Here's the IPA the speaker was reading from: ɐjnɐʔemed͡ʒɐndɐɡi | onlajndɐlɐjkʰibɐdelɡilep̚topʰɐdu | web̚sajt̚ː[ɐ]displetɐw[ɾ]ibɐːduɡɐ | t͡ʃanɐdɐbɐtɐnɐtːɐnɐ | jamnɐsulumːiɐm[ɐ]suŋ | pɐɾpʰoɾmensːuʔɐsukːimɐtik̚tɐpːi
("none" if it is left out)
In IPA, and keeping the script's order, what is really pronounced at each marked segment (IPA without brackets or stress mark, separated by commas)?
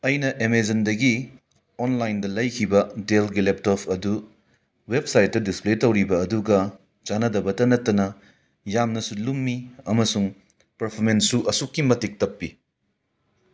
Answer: ɐ, ɾ, ɐ